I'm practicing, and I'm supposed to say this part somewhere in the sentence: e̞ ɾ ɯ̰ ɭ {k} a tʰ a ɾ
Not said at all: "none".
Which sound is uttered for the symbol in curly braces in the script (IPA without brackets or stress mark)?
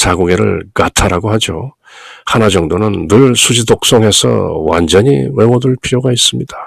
k